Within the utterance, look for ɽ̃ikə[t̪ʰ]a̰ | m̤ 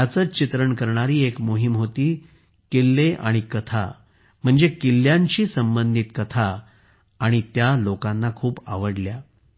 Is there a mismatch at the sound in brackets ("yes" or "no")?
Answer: no